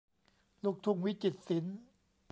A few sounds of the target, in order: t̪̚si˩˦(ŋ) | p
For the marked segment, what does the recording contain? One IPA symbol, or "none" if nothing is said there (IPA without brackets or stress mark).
n